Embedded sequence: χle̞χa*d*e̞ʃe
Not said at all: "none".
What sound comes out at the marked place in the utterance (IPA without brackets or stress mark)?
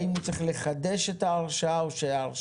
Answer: d